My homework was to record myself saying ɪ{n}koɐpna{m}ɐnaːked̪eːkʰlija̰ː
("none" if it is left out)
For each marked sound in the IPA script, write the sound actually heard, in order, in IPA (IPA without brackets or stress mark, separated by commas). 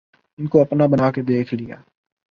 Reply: n, b